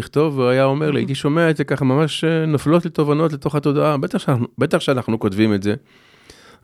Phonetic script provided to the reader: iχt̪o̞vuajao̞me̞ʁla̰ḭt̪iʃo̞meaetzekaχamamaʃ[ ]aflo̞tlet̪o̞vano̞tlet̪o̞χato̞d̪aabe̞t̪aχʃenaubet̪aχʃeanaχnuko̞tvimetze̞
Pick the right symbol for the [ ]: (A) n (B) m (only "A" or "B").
A